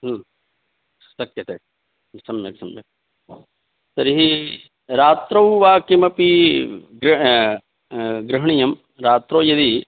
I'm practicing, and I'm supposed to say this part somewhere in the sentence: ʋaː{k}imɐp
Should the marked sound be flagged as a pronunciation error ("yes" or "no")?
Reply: no